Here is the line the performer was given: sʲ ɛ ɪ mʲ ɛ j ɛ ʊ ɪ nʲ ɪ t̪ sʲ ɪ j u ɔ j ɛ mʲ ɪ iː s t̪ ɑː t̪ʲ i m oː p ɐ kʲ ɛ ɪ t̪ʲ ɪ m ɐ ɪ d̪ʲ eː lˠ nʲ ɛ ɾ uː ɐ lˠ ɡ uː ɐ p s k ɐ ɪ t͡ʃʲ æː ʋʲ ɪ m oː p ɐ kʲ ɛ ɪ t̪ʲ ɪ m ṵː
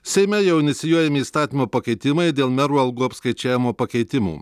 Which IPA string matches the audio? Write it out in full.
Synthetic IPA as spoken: sʲ ɛ ɪ mʲ ɛ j ɛ ʊ ɪ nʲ ɪ t̪ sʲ ɪ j u ɔ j ɛ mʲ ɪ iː s t̪ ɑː t̪ʲ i m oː p ɐ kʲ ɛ ɪ t̪ʲ ɪ m ɐ ɪ d̪ʲ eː lˠ mʲ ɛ ɾ uː ɐ lˠ ɡ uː ɐ p s k ɐ ɪ t͡ʃʲ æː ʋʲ ɪ m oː p ɐ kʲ ɛ ɪ t̪ʲ ɪ m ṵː

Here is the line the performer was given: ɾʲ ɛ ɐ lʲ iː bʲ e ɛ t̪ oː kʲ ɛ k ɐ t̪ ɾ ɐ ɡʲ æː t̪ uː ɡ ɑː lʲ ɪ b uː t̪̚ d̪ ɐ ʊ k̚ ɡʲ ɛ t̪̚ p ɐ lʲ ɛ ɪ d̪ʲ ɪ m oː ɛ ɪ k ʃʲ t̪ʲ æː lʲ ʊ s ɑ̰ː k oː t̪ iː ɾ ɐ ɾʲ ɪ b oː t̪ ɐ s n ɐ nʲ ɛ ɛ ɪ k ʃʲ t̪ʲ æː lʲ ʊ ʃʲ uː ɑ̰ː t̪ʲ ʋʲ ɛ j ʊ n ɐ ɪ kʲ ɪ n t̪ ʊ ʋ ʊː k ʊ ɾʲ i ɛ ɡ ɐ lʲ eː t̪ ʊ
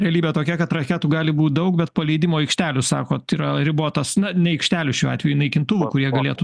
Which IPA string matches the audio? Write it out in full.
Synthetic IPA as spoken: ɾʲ ɛ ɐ lʲ iː bʲ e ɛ t̪ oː kʲ ɛ k ɐ t̪ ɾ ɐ kʲ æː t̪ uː ɡ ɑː lʲ ɪ b uː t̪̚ d̪ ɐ ʊ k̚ bʲ ɛ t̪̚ p ɐ lʲ ɛ ɪ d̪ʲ ɪ m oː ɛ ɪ k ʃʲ t̪ʲ æː lʲ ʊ s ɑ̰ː k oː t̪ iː ɾ ɐ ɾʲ ɪ b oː t̪ ɐ s n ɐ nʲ ɛ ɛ ɪ k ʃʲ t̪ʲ æː lʲ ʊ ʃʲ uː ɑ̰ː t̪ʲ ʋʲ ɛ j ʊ n ɐ ɪ kʲ ɪ n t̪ ʊ ʋ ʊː k ʊ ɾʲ i ɛ ɡ ɐ lʲ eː t̪ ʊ

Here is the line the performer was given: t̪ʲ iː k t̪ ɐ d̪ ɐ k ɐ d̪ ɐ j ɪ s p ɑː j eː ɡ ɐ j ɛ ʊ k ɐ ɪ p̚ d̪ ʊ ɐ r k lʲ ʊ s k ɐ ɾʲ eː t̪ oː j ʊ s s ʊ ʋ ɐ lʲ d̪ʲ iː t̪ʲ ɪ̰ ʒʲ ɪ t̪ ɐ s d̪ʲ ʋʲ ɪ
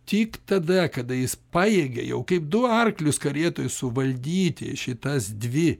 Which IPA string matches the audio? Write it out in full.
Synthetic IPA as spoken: t̪ʲ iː k t̪ ɐ d̪ ɐ k ɐ d̪ ɐ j ɪ s p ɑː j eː ɡ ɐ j ɛ ʊ k ɐ ɪ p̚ d̪ ʊ ɐ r k lʲ ʊ s k ɐ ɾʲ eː t̪ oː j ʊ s s ʊ ʋ ɐ lʲ d̪ʲ iː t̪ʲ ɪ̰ ʃʲ ɪ t̪ ɐ s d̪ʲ ʋʲ ɪ

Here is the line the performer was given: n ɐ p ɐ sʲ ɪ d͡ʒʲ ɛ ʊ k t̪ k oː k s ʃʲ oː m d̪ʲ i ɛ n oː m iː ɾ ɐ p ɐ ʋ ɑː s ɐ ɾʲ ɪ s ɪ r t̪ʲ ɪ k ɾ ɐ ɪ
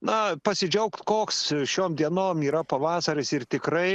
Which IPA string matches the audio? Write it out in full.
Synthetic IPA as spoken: n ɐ p ɐ sʲ ɪ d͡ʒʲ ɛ ʊ k t̪ k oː k s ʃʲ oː m d̪ʲ i ɛ n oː m iː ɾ ɐ p ɐ ʋ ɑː s ɐ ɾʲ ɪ s ɪ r t̪ʲ ɪ k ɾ ɐ ɪ

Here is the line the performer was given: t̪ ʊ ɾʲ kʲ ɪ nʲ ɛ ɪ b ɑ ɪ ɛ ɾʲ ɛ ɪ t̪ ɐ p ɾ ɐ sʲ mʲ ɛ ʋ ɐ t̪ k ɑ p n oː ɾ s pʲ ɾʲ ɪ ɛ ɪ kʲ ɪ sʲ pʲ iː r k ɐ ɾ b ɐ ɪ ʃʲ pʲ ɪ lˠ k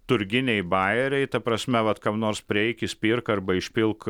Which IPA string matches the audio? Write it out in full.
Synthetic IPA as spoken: t̪ ʊ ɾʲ ɡʲ ɪ nʲ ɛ ɪ b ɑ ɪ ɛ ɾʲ ɛ ɪ t̪ ɐ p ɾ ɐ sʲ mʲ ɛ ʋ ɐ t̪ k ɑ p n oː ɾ s pʲ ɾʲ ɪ ɛ ɪ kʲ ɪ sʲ pʲ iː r k ɐ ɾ b ɐ ɪ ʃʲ pʲ ɪ lˠ k

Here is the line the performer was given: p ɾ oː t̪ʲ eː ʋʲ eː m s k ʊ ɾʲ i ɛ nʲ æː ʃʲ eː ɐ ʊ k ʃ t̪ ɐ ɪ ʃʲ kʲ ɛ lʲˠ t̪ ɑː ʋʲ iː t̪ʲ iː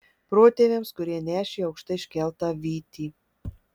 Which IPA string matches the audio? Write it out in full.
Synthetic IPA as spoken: p ɾ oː t̪ʲ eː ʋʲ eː m s k ʊ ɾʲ i ɛ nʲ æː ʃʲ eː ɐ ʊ k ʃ t̪ ɐ ɪ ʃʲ kʲ ɛ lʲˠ t̪ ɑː ʋʲ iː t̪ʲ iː

